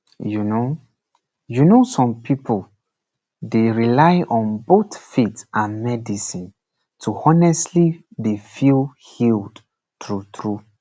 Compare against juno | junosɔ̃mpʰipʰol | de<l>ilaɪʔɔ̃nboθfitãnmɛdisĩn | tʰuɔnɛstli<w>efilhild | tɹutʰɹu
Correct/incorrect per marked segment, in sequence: incorrect, incorrect

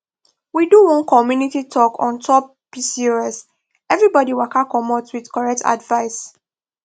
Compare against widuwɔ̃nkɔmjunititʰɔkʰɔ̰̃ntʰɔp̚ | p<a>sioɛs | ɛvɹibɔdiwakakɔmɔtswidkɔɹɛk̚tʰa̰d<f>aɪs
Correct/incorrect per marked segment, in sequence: incorrect, incorrect

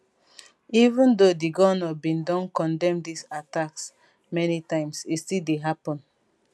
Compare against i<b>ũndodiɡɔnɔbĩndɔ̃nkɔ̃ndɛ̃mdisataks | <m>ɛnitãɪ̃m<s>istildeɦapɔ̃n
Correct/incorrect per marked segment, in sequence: incorrect, correct, correct

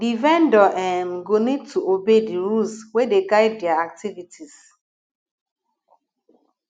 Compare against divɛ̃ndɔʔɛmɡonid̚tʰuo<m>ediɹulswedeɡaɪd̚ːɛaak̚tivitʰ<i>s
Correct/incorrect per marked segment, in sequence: incorrect, correct

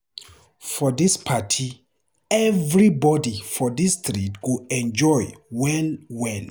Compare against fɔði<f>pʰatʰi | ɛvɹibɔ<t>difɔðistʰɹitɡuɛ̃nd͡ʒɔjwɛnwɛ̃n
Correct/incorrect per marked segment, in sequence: incorrect, incorrect

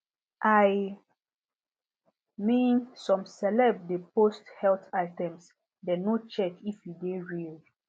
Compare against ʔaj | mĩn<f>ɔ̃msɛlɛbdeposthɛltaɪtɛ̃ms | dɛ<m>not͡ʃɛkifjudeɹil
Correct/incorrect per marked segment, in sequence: incorrect, incorrect

